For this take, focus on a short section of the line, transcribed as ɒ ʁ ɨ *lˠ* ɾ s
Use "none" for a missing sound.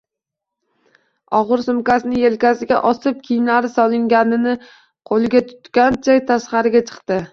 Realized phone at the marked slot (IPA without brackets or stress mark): none